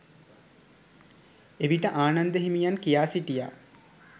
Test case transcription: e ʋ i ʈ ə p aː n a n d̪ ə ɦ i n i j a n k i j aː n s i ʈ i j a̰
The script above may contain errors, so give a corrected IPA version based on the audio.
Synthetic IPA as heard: e ʋ i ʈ ə ʔ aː n a n d̪ ə ɦ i m i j a n k i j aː s i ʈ i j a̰